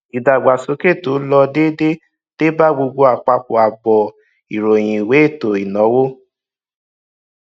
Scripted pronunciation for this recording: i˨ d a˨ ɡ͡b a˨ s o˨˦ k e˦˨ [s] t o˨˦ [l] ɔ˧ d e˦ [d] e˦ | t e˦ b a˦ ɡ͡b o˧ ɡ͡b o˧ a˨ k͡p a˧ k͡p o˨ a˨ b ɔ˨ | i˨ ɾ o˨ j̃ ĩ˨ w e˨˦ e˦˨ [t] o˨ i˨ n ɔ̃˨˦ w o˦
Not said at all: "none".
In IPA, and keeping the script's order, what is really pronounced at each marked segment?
none, l, d, t

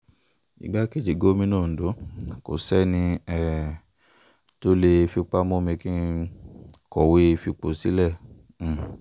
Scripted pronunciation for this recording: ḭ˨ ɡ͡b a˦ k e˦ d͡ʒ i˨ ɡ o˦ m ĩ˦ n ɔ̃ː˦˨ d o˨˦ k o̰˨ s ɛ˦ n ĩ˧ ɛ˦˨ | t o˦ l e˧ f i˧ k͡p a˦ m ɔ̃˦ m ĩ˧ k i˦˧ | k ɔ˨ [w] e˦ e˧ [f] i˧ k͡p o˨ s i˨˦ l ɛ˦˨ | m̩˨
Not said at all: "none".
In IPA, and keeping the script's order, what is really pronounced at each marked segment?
w, f

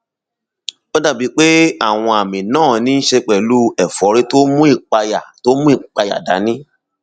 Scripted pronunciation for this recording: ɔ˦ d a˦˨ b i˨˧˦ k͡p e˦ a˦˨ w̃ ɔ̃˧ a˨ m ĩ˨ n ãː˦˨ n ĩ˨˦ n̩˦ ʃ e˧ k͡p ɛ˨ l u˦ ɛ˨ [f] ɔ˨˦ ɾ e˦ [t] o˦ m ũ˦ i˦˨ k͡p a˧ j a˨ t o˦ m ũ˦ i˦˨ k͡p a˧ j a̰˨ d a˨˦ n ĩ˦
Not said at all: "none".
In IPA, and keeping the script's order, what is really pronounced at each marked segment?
f, t

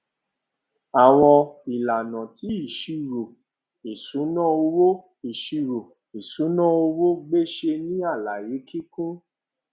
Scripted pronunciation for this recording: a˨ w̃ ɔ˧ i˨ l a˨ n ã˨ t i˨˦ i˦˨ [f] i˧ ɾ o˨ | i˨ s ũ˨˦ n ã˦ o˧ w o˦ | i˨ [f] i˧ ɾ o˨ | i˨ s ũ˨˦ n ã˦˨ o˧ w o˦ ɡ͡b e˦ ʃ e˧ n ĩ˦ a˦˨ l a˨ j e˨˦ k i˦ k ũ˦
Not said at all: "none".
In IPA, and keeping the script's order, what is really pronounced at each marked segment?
ʃ, ʃ

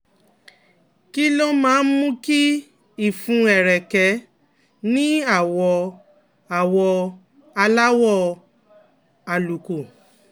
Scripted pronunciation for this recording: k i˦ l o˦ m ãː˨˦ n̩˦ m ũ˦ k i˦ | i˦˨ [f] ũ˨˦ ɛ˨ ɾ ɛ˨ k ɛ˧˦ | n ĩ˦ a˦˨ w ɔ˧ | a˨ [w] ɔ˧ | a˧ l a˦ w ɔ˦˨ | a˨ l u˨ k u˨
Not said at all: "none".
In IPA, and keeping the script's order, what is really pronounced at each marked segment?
f, w

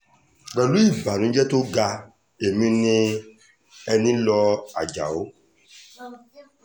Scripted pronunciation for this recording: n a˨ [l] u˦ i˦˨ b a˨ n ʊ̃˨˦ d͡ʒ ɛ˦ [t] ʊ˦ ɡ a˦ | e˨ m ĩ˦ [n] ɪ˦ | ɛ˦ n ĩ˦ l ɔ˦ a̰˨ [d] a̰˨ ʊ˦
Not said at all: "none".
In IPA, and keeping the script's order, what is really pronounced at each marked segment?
l, t, n, d͡ʒ

